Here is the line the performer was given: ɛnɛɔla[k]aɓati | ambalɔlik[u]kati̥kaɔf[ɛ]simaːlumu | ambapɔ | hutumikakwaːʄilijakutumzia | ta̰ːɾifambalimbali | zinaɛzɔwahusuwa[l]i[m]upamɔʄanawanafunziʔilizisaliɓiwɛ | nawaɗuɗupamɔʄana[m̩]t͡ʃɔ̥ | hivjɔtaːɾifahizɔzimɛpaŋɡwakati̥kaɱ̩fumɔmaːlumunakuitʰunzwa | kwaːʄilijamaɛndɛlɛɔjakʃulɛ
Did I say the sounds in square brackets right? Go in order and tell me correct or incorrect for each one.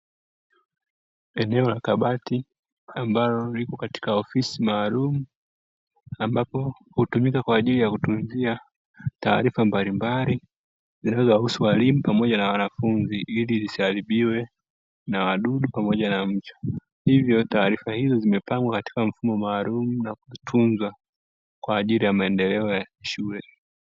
correct, incorrect: ɔ, incorrect: i, correct, correct, correct

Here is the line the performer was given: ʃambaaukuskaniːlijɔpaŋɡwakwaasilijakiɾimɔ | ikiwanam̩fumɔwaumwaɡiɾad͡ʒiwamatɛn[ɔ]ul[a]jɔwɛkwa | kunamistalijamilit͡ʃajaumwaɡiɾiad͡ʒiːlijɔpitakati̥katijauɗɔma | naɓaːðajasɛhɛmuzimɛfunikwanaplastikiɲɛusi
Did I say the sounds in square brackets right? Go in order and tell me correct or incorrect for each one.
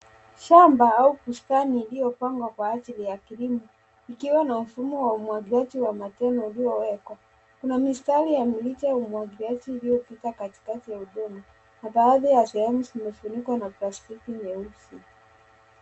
correct, incorrect: i

